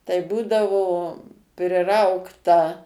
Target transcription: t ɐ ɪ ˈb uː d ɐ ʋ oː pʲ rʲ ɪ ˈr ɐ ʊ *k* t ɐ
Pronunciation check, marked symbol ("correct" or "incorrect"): correct